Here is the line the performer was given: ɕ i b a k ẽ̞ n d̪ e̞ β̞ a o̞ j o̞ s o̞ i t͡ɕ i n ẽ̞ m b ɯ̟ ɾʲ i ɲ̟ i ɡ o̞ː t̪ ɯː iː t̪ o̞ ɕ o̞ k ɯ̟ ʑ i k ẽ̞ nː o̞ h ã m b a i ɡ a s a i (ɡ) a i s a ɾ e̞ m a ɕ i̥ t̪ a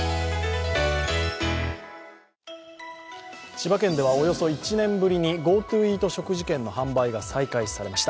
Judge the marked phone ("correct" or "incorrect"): incorrect